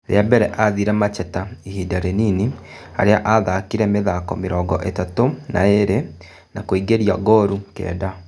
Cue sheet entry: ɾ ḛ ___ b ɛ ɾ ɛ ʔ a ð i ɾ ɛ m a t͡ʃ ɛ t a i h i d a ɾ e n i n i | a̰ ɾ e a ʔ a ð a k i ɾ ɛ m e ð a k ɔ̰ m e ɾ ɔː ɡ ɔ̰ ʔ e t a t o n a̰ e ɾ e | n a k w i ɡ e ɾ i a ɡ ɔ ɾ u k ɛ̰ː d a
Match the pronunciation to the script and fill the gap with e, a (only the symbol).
a